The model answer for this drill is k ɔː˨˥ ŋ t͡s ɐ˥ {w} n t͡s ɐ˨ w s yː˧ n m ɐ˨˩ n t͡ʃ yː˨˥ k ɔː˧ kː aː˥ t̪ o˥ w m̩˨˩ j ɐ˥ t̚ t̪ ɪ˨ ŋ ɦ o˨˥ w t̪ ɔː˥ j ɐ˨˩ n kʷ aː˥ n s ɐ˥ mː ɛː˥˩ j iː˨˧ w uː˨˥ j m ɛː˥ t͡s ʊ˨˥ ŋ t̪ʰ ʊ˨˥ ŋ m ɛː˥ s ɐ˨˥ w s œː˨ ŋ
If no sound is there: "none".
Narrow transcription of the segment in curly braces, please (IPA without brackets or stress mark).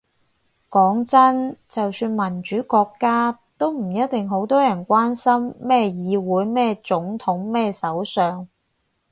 none